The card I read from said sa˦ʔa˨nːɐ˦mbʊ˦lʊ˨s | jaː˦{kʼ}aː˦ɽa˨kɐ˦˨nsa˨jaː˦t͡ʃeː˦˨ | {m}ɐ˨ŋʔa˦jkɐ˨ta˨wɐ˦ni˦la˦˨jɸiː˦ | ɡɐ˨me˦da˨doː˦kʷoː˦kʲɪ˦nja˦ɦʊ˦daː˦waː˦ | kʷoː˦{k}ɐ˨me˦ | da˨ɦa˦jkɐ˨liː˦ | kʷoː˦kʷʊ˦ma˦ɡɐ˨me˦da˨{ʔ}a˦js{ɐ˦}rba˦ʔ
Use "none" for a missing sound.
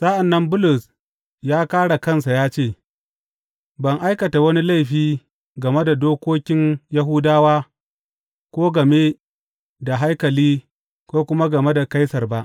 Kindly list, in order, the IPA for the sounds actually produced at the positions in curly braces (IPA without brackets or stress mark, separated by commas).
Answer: k, b, ɡ, k, ɐ˨